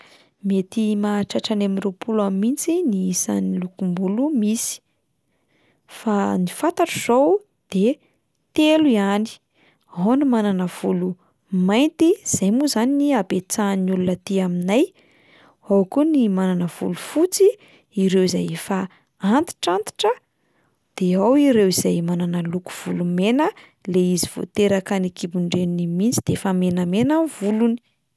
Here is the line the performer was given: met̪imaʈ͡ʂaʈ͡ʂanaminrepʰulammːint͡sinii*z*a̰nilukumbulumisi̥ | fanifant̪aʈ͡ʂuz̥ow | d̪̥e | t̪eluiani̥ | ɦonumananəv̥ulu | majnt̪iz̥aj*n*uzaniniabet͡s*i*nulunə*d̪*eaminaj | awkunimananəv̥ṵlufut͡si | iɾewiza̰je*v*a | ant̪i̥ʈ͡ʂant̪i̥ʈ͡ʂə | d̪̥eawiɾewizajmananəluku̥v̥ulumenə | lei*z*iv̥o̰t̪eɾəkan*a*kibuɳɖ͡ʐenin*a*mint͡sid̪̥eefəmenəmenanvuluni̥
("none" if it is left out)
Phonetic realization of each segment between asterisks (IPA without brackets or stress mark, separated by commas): s, m, a, t̪, f, z, i, i